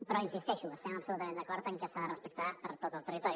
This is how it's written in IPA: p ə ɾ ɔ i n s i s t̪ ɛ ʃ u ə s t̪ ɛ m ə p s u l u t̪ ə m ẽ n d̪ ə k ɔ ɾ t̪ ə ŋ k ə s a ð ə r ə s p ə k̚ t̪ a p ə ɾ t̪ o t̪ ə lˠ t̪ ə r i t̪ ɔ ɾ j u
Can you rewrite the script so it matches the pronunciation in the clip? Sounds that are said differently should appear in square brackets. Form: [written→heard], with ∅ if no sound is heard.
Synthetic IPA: p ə ɾ ɔ i n s i s t̪ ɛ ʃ u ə s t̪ ɛ m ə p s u l u t̪ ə m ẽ n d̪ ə k ɔ ɾ t̪ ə ŋ k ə s a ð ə r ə s p ə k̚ t̪ a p ə ɾ t̪ o t̪ ə lˠ t̪ ə r i t̪ ɔ ɾ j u